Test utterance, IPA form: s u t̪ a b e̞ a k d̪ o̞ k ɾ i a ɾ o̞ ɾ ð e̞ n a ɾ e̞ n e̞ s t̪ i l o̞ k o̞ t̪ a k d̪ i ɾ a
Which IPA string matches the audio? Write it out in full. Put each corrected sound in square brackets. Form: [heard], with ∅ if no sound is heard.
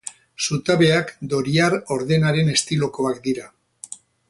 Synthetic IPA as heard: s u t̪ a [β] e̞ a k d̪ o̞ [∅] ɾ i a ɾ o̞ ɾ ð e̞ n a ɾ e̞ n e̞ s t̪ i l o̞ k o̞ [∅] a k d̪ i ɾ a